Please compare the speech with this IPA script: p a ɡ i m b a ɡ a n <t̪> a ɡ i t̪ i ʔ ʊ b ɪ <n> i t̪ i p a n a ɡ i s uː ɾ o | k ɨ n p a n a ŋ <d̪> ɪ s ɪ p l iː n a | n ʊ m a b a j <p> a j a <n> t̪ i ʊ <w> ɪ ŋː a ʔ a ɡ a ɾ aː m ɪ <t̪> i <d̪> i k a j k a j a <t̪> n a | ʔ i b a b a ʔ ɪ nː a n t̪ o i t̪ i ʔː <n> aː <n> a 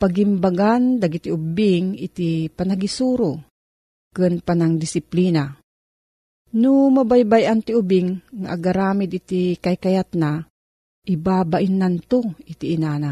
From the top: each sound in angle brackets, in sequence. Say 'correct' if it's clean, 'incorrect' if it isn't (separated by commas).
incorrect, incorrect, correct, incorrect, correct, incorrect, incorrect, incorrect, correct, correct, correct